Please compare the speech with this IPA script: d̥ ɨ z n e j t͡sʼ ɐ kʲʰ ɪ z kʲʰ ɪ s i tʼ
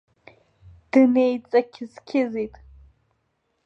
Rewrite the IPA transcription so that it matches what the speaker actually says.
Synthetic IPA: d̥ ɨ n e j t͡sʼ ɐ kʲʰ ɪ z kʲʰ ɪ z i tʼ